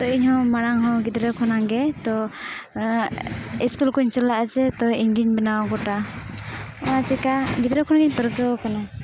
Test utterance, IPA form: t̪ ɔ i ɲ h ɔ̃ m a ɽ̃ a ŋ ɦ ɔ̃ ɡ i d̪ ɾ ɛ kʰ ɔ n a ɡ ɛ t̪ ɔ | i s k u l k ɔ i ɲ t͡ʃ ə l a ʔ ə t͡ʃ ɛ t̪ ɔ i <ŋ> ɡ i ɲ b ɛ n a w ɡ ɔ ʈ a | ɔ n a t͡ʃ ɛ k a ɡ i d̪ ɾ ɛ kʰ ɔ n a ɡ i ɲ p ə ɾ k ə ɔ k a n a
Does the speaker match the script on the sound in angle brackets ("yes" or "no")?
no